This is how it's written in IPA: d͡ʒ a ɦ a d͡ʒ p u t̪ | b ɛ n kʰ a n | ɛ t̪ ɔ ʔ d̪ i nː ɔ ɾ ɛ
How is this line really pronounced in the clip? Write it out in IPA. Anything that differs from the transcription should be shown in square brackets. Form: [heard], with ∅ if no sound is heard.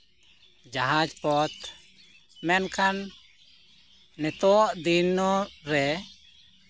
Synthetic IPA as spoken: d͡ʒ a ɦ a d͡ʒ p [ɔ] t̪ | [m] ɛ n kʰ a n | ɛ t̪ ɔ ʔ d̪ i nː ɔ ɾ ɛ